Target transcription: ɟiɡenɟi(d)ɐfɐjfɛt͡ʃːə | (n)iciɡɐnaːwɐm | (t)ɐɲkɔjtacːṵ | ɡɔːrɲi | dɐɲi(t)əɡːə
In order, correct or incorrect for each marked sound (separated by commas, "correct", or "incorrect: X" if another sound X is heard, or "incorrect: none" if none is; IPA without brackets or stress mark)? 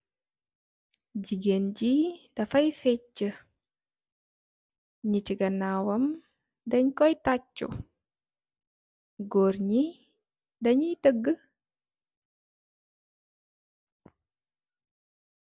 correct, incorrect: ɲ, incorrect: d, correct